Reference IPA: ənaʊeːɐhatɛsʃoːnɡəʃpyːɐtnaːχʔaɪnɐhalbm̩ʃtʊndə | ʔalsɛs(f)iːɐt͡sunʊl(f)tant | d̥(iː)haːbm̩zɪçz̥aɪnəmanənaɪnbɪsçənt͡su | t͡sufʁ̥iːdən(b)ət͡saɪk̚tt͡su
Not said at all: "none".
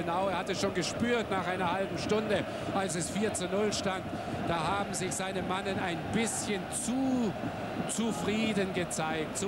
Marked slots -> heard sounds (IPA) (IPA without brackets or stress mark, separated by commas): f, ʃ, aː, ɡ